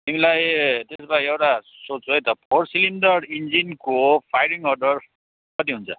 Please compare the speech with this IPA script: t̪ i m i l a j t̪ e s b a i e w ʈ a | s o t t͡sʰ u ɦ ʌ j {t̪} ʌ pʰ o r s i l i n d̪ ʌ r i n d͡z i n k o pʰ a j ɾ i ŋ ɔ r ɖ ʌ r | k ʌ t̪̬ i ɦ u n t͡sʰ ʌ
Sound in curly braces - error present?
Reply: no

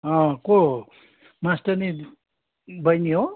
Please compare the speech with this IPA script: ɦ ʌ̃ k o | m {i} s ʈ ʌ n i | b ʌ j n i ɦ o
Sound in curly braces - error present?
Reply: yes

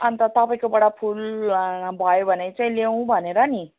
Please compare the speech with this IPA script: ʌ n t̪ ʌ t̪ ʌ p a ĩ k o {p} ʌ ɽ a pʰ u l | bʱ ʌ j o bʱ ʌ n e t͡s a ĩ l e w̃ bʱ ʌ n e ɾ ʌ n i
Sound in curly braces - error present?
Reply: yes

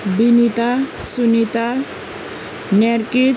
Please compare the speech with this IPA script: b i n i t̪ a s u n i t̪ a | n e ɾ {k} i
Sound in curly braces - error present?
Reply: no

